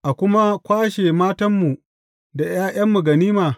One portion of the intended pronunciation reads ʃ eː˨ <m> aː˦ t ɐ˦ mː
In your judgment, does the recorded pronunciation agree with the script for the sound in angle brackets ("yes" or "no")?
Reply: yes